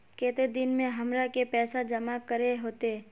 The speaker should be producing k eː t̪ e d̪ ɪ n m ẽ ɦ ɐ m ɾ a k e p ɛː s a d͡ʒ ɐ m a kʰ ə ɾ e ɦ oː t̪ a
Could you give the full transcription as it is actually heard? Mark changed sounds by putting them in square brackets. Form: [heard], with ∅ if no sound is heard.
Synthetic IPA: k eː t̪ e d̪ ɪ n m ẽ ɦ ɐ m ɾ a k e p ɛː s a d͡ʒ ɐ m a [k] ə ɾ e ɦ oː t̪ [e]